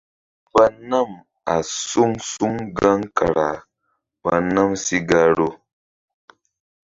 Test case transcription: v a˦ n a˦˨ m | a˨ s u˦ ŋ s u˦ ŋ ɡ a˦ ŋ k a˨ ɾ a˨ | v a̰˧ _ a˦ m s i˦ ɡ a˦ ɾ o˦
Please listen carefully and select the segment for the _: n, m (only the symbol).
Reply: n